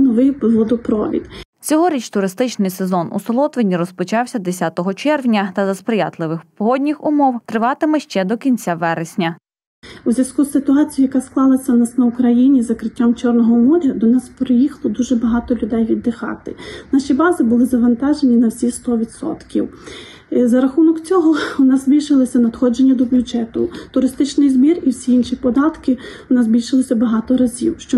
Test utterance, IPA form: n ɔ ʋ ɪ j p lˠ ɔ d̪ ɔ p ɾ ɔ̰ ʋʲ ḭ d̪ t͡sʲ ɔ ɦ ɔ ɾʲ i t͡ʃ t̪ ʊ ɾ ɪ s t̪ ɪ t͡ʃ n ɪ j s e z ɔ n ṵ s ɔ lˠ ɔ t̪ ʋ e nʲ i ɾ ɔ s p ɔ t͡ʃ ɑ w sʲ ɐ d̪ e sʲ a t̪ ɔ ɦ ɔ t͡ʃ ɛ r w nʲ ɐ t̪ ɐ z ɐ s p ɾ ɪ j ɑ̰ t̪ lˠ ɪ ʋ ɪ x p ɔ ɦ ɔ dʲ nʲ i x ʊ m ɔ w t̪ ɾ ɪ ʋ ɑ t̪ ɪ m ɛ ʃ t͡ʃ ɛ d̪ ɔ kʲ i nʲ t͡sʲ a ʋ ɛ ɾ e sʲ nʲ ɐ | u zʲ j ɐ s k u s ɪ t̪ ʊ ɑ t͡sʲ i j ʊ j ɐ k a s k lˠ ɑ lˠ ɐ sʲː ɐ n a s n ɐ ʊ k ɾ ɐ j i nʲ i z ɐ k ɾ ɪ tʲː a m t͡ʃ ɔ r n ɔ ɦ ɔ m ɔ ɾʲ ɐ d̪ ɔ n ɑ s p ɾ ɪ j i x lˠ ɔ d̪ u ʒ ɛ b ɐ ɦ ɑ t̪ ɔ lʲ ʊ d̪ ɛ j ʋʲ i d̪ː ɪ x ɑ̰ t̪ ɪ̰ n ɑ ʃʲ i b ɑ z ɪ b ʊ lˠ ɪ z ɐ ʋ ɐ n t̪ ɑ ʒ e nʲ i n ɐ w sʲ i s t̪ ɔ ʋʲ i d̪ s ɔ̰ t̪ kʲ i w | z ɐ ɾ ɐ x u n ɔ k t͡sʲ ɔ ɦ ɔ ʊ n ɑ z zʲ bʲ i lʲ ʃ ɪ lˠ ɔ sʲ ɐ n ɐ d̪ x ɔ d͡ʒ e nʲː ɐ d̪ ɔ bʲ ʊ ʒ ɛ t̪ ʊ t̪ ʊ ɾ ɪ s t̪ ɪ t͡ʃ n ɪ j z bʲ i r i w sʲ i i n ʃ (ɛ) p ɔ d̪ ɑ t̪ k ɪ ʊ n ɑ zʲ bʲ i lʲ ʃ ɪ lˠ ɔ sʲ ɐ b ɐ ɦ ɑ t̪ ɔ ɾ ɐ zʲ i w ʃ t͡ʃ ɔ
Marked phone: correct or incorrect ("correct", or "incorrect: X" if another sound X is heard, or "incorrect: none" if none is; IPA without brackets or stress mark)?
incorrect: i